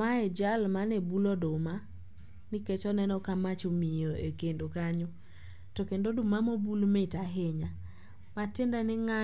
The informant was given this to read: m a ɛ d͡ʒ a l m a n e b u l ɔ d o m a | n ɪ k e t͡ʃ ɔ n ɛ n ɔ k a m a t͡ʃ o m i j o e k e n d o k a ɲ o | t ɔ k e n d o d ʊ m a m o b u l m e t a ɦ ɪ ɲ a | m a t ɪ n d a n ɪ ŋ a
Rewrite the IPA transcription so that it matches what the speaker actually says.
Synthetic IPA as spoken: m a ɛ d͡ʒ a l m a n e b u l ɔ d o m a | n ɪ k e t͡ʃ ɔ n ɛ n ɔ k a m a t͡ʃ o m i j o e k e n d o k a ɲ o | t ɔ k e n d o d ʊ m a m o b u l m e t a ɦ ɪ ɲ a | m a t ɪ n d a n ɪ ŋ a